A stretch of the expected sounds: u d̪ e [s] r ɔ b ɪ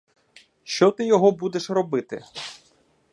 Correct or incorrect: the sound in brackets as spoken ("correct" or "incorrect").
incorrect